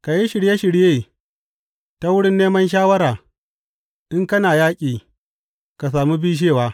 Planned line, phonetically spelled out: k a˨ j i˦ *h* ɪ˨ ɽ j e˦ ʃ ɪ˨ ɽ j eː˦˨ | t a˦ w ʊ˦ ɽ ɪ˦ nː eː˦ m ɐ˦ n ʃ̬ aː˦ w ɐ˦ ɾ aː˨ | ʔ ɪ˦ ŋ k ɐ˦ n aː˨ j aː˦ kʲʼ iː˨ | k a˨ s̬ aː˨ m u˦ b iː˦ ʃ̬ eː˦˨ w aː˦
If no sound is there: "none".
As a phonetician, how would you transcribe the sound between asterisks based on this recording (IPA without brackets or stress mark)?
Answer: ʃ